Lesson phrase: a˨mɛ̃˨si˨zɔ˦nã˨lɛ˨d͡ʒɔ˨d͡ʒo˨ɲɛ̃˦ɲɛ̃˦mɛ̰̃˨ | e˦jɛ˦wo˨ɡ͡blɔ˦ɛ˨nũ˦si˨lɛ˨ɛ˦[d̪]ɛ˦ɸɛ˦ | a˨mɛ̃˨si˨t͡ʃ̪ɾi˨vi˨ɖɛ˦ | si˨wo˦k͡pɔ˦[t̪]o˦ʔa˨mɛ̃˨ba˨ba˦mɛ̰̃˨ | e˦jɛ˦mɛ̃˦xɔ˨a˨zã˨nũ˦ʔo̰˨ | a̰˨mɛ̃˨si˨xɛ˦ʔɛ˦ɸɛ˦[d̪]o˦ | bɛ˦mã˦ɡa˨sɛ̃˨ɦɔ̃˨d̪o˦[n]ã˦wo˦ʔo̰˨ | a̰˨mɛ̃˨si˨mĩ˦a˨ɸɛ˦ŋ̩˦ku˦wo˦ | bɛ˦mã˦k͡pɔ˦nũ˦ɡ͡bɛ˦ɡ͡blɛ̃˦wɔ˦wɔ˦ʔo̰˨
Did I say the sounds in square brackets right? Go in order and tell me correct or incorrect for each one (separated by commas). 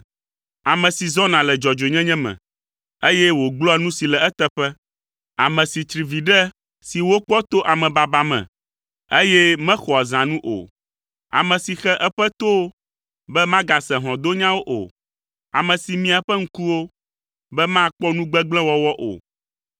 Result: incorrect, correct, incorrect, incorrect